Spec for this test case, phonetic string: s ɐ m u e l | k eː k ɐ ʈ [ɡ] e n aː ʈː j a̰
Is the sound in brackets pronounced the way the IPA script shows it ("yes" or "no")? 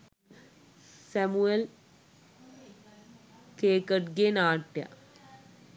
yes